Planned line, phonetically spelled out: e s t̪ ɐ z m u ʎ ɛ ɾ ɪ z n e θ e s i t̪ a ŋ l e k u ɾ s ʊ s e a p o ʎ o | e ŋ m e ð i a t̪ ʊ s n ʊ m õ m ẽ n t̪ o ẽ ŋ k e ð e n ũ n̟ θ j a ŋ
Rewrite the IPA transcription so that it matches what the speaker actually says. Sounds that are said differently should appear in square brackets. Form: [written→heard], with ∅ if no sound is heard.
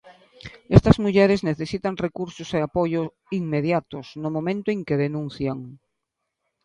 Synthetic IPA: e s t̪ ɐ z m u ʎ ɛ ɾ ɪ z n e θ e s i t̪ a ŋ [l→r] e k u ɾ s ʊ s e a p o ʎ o | [e→i] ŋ m e ð [i→j] a t̪ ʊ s n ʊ m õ m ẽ n t̪ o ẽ ŋ k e ð e n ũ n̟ θ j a ŋ